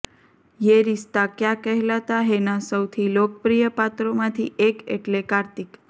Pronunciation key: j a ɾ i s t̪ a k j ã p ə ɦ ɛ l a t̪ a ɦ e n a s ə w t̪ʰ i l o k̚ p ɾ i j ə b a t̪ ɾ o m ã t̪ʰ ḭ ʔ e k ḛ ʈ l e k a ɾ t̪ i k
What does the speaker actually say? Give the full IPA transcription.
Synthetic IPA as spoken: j e ɾ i s t̪ a k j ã k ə ɦ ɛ l a t̪ a ɦ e n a s ə w t̪ʰ i l o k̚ p ɾ i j ə p a t̪ ɾ o m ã t̪ʰ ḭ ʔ e k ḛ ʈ l e k a ɾ t̪ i k